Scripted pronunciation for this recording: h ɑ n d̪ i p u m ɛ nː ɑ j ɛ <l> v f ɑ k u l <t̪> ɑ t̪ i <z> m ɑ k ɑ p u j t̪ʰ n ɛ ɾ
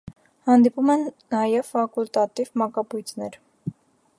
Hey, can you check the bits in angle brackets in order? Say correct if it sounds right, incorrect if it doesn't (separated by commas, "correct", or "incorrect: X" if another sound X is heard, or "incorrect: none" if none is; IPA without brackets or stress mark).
incorrect: none, correct, incorrect: v